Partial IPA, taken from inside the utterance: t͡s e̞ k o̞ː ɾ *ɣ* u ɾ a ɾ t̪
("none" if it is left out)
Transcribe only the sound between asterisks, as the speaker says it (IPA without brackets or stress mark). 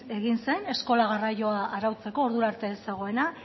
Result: ð